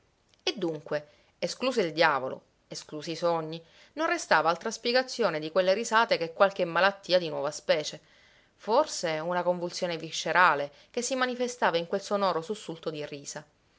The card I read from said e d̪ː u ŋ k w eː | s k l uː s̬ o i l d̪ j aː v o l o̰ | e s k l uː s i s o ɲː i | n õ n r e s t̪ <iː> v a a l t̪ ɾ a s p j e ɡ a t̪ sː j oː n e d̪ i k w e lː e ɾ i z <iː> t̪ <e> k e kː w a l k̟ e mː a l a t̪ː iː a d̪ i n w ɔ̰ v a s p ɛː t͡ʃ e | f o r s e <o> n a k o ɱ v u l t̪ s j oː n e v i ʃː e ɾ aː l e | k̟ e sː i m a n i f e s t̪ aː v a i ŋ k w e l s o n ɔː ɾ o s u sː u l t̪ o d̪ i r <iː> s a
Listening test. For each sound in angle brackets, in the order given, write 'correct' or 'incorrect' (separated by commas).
incorrect, incorrect, correct, incorrect, correct